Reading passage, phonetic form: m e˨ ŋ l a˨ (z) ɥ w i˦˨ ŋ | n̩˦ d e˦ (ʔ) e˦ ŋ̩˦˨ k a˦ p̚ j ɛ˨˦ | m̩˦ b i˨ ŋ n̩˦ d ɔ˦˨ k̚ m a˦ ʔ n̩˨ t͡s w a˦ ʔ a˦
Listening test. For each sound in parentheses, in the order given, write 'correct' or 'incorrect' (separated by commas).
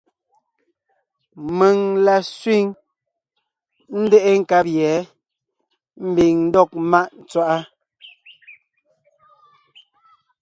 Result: incorrect, correct